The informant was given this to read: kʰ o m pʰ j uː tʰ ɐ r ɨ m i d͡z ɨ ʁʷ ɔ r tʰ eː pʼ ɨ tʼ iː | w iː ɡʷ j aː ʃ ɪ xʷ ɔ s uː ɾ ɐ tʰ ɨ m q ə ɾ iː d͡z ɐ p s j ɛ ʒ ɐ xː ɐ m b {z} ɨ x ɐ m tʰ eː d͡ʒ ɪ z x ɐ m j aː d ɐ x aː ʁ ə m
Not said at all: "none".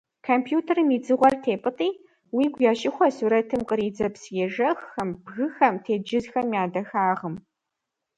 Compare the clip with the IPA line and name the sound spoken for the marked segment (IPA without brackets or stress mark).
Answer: ɣ